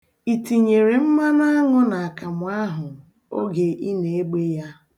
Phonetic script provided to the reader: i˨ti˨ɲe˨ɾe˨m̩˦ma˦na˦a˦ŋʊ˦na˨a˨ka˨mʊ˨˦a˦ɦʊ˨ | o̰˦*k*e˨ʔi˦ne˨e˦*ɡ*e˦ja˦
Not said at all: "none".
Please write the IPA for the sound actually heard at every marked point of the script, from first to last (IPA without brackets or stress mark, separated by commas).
ɡ, ɡ͡b